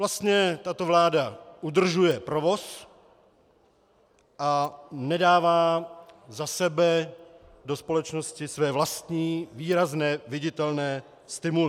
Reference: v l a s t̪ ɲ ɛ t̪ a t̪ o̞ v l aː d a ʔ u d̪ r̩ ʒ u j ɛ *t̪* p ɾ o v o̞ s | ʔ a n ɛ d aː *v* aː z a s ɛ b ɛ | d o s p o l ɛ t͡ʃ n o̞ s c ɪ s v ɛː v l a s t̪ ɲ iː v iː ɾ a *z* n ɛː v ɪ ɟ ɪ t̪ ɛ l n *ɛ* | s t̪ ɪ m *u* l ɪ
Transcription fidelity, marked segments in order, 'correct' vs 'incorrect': incorrect, correct, correct, incorrect, correct

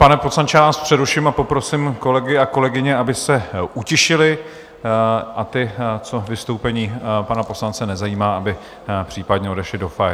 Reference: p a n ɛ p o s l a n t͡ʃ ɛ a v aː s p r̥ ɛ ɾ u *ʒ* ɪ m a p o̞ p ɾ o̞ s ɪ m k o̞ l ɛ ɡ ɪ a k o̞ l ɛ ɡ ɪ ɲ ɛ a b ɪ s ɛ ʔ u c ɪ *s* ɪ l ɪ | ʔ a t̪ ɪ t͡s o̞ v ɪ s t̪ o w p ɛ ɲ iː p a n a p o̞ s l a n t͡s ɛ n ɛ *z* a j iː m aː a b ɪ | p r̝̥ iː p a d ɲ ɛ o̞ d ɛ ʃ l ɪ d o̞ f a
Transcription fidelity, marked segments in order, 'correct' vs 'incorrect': incorrect, incorrect, correct

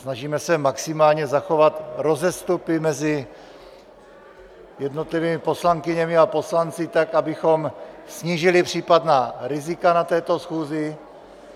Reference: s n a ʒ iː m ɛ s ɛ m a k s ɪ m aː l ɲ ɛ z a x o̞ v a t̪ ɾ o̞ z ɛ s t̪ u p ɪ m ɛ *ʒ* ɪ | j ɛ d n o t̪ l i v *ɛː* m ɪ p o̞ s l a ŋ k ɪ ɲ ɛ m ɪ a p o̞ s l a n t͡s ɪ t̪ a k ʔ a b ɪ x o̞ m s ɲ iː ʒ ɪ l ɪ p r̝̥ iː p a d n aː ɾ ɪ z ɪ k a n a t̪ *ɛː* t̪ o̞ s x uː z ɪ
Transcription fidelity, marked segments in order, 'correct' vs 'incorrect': incorrect, incorrect, correct

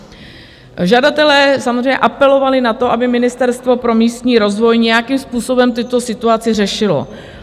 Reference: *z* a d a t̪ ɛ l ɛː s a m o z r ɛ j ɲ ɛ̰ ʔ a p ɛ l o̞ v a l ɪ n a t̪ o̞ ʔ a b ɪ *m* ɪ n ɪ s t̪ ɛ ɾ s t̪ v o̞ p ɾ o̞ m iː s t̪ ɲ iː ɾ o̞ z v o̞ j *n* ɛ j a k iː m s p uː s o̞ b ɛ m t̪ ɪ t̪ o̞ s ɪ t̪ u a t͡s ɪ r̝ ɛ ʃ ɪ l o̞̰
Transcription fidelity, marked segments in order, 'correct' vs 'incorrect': incorrect, correct, incorrect

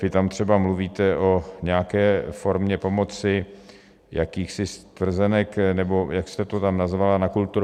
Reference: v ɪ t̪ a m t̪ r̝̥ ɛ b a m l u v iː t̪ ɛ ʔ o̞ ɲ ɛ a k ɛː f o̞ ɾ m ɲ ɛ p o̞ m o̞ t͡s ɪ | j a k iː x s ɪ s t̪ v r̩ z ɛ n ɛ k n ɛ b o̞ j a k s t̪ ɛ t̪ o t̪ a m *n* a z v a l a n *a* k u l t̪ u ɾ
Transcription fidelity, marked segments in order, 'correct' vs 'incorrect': correct, correct

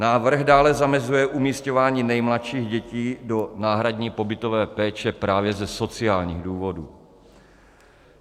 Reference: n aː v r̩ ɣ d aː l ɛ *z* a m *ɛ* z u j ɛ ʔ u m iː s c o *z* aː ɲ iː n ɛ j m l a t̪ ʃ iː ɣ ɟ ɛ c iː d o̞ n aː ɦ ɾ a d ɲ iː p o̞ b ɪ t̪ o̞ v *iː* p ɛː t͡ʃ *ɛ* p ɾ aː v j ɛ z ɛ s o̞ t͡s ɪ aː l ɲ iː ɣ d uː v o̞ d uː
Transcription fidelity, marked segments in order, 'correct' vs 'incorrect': correct, correct, incorrect, incorrect, correct

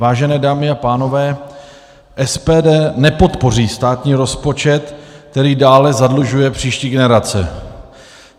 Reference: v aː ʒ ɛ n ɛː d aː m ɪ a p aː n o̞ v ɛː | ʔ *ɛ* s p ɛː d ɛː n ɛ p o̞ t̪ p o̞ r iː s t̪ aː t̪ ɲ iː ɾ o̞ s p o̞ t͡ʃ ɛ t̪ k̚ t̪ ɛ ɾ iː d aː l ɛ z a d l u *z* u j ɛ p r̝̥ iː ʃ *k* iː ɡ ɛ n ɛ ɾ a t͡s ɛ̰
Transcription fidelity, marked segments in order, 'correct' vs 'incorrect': correct, incorrect, incorrect

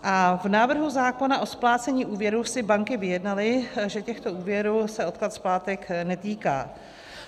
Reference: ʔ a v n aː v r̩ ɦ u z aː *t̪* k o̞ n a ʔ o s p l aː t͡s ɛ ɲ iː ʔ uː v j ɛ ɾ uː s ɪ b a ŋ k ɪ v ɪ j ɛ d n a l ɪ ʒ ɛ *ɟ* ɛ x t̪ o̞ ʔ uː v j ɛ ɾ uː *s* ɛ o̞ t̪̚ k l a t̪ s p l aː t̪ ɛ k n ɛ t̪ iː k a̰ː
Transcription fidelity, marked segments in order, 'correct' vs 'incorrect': incorrect, incorrect, correct

